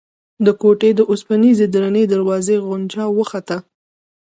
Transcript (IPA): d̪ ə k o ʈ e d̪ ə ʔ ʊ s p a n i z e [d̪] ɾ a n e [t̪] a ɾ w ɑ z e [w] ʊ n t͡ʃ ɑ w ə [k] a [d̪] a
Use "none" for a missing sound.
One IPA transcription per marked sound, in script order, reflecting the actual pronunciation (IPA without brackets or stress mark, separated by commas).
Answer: d̪, d̪, ɣ, x, t̪